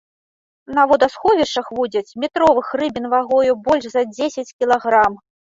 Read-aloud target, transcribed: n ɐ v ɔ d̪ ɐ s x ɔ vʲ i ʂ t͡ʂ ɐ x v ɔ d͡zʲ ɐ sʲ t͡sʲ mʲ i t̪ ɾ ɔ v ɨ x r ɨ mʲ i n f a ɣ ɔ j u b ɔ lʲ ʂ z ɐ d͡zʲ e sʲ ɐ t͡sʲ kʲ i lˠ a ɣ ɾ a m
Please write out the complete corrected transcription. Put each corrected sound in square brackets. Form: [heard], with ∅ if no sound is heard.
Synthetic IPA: n ɐ v ɔ d̪ ɐ s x ɔ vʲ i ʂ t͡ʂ ɐ x v [u] d͡zʲ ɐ [∅] t͡sʲ mʲ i t̪ ɾ ɔ v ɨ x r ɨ [bʲ] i n [v] a ɣ ɔ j u b ɔ lʲ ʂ z ɐ d͡zʲ e sʲ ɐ t͡sʲ kʲ i lˠ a ɣ ɾ a m